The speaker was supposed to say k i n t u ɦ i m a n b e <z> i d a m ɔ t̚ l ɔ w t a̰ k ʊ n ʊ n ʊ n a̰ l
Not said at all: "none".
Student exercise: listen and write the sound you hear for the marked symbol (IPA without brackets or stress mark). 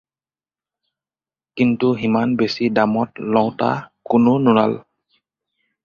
s